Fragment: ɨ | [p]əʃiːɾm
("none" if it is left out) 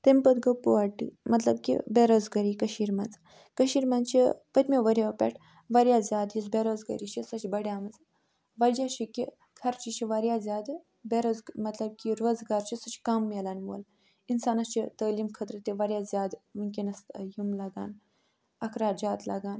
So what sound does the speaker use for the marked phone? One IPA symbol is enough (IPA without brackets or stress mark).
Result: k